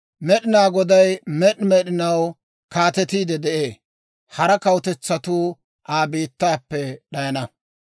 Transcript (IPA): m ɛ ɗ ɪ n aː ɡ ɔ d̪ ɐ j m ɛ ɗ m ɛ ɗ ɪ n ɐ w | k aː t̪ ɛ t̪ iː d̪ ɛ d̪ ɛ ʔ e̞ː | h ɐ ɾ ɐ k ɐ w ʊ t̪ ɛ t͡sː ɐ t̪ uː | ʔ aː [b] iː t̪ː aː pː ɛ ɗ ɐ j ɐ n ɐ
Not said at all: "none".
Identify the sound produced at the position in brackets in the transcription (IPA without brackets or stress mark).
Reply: b